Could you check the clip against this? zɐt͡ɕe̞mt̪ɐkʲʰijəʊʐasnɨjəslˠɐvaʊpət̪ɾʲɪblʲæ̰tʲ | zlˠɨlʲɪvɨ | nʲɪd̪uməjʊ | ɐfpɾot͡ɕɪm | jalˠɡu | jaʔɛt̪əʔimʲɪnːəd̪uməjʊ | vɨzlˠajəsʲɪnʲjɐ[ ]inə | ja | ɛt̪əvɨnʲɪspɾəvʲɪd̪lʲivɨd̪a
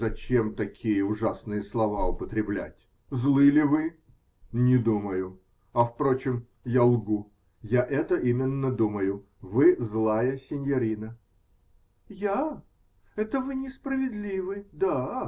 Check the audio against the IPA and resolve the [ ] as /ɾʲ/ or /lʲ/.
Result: ɾʲ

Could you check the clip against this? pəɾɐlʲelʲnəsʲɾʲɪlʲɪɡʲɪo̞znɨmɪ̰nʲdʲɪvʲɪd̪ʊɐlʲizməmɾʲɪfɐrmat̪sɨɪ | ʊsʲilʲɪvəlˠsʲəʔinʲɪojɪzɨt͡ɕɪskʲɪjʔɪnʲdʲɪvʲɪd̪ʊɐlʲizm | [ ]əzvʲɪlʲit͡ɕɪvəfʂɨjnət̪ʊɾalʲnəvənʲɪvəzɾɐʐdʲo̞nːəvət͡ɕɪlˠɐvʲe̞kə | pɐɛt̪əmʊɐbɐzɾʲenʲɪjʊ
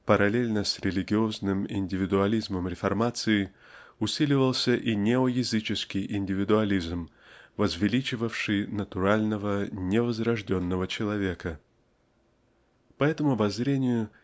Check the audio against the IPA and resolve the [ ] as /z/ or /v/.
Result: v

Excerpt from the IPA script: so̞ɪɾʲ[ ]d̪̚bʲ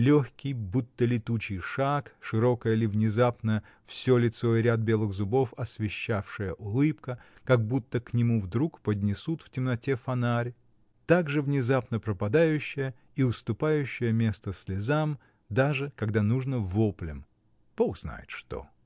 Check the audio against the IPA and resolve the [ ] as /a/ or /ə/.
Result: a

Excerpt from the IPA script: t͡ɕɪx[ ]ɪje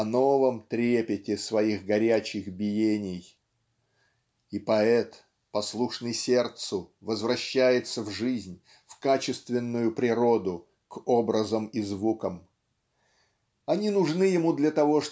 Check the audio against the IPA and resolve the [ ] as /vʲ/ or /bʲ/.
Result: bʲ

